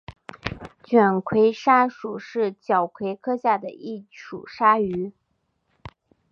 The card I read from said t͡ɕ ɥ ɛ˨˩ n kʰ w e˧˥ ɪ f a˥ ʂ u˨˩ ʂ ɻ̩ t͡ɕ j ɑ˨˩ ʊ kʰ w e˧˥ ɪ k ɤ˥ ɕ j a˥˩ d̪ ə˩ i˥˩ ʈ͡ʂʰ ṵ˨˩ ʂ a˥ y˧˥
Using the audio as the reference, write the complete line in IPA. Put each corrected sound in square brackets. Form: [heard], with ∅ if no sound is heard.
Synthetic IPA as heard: t͡ɕ ɥ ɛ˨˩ n kʰ w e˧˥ ɪ [ʂ] a˥ ʂ u˨˩ ʂ ɻ̩ t͡ɕ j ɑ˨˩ ʊ kʰ w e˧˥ ɪ [kʰ] ɤ˥ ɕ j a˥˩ d̪ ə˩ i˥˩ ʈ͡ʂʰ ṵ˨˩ ʂ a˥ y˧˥